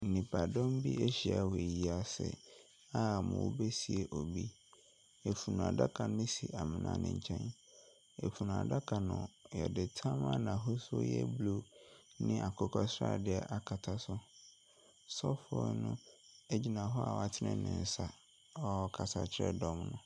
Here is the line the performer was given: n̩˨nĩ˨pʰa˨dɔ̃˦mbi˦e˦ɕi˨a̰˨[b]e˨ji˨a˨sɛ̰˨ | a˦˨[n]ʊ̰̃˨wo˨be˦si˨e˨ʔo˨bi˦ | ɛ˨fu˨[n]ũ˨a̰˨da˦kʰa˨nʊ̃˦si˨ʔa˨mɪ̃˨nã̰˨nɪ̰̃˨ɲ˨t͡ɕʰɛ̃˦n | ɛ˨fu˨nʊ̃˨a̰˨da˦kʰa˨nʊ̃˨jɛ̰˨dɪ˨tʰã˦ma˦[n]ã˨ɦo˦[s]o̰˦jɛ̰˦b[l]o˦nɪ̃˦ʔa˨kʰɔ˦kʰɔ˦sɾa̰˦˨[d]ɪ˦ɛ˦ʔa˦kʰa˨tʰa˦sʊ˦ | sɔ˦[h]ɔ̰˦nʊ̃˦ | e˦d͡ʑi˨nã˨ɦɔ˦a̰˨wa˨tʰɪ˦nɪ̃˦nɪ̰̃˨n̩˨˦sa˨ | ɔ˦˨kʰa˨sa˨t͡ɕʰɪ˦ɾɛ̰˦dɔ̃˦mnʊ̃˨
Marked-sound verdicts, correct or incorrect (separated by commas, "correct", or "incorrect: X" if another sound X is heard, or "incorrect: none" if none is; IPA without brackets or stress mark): incorrect: w, incorrect: m, correct, correct, correct, correct, correct, incorrect: f